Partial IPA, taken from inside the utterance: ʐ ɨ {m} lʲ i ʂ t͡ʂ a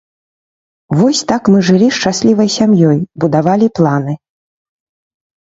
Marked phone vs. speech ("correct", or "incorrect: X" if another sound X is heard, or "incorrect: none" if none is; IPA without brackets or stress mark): incorrect: none